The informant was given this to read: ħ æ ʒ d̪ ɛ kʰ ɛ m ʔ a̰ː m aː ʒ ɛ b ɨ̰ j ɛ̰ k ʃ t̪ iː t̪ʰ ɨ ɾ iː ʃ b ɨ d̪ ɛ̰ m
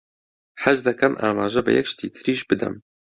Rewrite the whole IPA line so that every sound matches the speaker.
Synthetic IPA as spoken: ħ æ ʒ d̪ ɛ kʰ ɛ m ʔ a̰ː m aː ʒ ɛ b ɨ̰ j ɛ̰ k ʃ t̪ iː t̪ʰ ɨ ɾ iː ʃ b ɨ d̪ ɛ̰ m